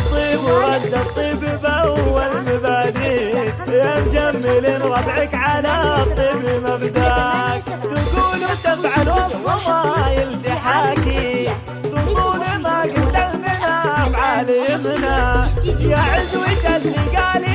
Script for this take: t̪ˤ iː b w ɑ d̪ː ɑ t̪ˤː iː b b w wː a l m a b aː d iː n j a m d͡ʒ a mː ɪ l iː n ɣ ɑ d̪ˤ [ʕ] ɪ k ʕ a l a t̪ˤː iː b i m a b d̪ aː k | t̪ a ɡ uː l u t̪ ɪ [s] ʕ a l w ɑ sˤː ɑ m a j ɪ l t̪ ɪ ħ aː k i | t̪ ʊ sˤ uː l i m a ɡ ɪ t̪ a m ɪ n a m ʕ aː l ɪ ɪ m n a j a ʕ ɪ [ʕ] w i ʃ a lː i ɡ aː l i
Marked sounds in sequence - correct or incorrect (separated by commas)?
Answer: correct, incorrect, incorrect